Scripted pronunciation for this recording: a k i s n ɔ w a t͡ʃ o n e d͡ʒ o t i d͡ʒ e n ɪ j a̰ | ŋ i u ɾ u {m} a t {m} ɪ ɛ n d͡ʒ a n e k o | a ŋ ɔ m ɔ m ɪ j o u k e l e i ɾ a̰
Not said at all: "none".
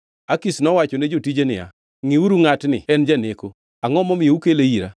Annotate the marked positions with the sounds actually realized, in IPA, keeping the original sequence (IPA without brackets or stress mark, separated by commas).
ŋ, n